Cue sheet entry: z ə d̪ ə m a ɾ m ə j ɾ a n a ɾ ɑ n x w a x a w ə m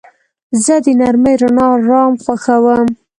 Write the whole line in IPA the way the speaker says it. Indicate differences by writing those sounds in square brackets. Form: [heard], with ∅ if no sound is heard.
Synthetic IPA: z ə d̪ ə [n] a ɾ m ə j ɾ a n [ɑ] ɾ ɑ [m] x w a x a w ə m